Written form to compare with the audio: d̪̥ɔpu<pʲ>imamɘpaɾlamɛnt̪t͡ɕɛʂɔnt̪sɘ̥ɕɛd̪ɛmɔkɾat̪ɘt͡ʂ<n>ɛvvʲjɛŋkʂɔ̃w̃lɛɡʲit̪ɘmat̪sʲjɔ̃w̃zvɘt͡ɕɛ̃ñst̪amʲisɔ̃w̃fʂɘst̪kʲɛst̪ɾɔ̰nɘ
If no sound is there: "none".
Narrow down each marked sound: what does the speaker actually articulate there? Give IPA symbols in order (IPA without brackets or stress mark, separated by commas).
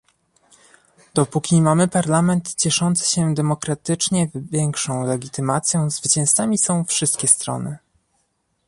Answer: kʲ, ɲ